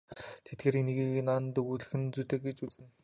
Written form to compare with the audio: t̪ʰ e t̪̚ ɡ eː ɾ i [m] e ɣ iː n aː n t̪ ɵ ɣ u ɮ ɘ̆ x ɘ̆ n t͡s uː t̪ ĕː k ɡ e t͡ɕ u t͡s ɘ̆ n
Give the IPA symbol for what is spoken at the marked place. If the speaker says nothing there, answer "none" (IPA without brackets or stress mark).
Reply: n